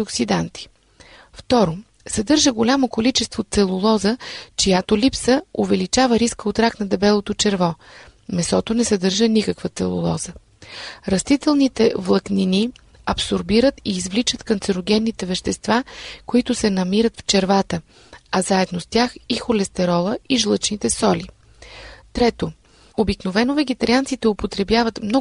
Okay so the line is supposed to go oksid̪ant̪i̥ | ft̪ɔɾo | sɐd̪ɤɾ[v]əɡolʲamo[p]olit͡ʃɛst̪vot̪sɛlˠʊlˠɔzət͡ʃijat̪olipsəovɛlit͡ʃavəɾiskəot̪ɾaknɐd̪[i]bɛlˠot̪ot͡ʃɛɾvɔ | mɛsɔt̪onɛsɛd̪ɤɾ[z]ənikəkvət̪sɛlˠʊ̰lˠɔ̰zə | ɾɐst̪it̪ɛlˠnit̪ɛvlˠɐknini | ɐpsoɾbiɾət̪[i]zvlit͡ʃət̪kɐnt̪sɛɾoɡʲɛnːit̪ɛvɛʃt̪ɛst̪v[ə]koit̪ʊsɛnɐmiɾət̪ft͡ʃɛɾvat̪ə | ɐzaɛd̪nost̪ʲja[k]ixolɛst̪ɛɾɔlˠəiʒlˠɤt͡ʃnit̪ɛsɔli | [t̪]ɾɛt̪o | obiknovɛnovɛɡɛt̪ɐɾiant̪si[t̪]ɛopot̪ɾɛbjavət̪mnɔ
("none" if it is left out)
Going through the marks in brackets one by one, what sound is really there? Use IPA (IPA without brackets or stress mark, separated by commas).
ʒ, k, ɛ, ʒ, iː, a, x, t̪, t̪